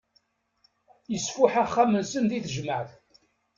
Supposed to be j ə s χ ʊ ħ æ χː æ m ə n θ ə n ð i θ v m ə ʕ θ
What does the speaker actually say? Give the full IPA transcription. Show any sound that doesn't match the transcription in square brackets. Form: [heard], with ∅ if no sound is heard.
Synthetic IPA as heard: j ə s [f] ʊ ħ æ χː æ m ə n [s] ə n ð i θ [ʒ] m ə ʕ θ